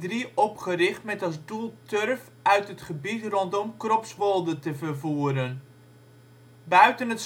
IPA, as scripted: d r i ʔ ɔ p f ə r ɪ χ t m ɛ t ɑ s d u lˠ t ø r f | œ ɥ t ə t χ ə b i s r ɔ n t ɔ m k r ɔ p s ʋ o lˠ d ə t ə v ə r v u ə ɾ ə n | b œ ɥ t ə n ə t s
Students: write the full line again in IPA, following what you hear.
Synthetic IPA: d r i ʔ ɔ p χ ə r ɪ χ t m ɛ t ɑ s d u lˠ t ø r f | œ ɥ t ə t χ ə b i t r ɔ n t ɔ m k r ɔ p s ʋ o lˠ d ə t ə v ə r v u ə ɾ ə n | b œ ɥ t ə n ə t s